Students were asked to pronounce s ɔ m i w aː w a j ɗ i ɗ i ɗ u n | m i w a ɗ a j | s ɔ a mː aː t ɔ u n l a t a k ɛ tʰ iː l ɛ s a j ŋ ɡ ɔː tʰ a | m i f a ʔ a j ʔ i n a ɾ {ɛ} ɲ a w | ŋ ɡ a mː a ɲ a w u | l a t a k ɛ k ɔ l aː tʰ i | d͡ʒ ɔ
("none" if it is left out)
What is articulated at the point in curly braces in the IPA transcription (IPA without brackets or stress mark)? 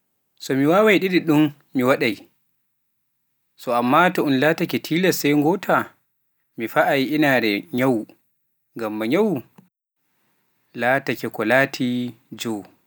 ɛ